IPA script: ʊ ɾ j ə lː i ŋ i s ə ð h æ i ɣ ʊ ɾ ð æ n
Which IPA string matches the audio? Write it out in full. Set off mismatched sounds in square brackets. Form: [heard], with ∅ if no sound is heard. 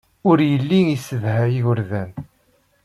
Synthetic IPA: ʊ ɾ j ə lː i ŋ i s ə ð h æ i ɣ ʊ ɾ ð æ n